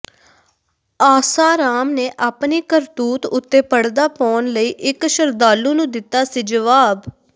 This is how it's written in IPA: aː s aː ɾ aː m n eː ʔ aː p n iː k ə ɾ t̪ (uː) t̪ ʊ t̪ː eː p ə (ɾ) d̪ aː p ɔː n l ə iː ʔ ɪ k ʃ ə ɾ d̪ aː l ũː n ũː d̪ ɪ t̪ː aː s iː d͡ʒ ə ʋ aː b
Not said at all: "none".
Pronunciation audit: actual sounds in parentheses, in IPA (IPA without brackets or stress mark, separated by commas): uː, ɽ